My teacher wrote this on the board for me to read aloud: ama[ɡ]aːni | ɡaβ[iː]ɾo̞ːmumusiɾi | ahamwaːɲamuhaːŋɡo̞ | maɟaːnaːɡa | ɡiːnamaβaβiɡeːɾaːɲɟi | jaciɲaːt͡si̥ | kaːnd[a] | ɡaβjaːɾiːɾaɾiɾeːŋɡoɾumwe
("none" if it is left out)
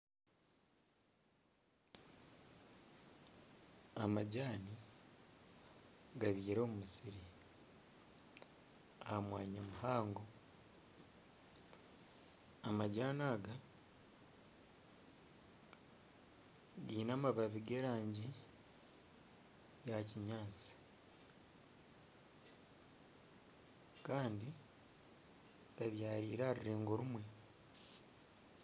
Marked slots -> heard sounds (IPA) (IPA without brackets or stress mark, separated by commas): ɟ, iː, i